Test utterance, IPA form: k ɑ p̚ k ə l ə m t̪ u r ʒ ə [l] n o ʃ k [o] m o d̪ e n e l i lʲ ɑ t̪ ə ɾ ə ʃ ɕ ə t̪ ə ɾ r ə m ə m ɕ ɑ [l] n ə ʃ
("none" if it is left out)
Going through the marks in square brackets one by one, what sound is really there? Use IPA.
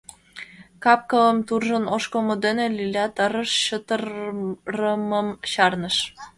none, o, r

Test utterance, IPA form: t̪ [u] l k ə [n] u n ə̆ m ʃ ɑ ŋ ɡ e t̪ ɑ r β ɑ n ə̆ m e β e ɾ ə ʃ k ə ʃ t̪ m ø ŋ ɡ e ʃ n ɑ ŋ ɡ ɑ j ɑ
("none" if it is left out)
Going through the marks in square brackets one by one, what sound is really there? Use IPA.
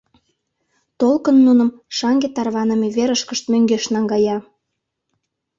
o, nː

